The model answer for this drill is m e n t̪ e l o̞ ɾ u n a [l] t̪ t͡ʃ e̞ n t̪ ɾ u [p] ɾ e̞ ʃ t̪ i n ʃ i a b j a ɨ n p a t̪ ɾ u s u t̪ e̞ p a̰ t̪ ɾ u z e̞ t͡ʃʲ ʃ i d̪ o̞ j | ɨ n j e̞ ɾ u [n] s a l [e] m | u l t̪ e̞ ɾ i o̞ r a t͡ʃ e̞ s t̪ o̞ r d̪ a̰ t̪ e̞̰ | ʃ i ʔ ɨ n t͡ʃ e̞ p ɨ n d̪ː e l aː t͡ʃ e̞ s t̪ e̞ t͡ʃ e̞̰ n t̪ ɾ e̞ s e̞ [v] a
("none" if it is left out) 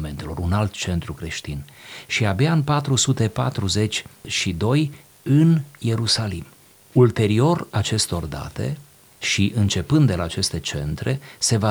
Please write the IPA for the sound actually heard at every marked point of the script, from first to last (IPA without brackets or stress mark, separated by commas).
l, k, none, i, v